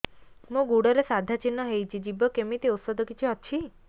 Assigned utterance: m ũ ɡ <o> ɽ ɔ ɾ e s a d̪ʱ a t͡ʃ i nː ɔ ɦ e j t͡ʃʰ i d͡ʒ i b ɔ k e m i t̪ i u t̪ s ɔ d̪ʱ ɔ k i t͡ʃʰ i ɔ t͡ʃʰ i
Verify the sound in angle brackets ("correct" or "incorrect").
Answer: incorrect